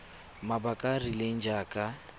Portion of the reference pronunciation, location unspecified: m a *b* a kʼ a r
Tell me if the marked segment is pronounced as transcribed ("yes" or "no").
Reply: yes